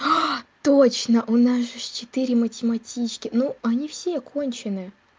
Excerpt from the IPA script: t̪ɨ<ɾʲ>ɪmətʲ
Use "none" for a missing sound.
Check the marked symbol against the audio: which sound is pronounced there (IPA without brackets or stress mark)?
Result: ɾʲ